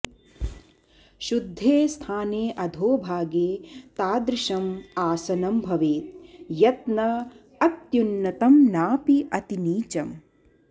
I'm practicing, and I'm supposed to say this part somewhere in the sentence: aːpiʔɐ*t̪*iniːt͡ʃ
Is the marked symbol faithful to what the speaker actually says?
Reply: yes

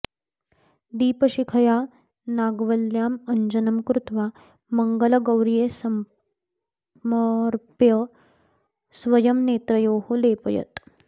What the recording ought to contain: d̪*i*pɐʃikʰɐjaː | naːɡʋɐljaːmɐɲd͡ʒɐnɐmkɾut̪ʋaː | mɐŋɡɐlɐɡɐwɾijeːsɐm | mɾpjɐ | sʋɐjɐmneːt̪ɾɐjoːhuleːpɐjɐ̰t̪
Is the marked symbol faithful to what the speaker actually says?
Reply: no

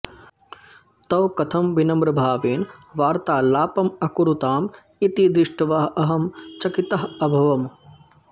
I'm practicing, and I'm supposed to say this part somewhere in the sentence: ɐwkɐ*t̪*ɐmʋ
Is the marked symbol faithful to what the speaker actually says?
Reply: no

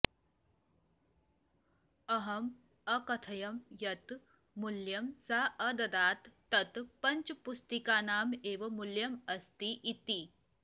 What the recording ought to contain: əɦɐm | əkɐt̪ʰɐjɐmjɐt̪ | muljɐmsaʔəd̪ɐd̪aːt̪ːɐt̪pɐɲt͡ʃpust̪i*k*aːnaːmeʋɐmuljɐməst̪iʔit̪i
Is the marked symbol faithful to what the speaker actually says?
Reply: yes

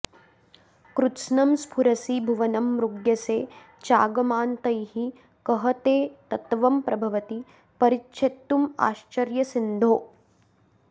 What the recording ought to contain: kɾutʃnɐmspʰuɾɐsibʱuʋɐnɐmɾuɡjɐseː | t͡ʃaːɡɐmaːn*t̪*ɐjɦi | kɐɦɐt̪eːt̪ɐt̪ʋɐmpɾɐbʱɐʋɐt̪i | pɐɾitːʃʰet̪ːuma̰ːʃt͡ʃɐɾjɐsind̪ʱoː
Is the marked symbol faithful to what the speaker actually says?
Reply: yes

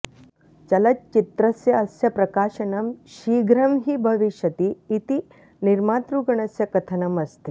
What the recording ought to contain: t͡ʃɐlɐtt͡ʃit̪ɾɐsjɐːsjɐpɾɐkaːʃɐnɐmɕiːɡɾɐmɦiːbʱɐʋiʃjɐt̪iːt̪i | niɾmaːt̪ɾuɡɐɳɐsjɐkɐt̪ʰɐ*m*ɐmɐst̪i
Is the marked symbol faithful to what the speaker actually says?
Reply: no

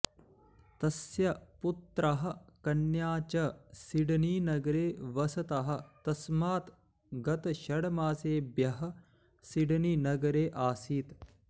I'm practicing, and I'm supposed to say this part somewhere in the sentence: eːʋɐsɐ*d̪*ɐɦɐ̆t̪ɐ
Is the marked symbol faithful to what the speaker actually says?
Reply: no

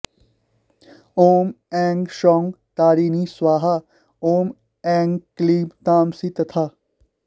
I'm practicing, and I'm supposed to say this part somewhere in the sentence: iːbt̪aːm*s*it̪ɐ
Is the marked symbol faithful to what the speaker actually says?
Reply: yes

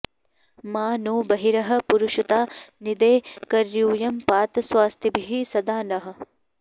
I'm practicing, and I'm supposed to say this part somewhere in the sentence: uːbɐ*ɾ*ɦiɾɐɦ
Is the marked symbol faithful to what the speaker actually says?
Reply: no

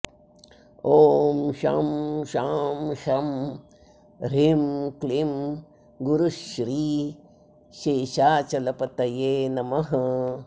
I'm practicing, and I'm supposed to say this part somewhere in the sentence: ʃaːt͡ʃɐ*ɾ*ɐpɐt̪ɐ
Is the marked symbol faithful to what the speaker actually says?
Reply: no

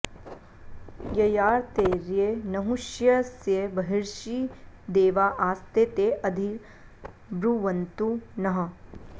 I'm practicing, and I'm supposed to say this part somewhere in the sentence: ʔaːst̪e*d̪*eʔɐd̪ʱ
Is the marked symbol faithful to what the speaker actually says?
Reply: no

